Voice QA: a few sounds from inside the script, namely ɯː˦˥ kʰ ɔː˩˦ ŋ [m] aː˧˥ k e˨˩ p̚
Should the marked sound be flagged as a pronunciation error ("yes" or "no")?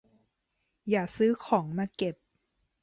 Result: no